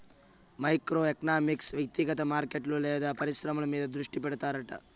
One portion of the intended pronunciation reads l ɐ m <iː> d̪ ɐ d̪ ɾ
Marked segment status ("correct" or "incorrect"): correct